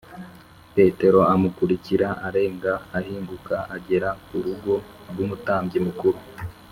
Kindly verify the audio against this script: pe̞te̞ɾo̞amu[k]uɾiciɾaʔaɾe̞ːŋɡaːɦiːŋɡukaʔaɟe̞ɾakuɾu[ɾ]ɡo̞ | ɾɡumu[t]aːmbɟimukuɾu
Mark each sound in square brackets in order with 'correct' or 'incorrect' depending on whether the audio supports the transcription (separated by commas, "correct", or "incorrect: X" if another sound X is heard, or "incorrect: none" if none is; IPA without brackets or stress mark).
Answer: correct, incorrect: none, correct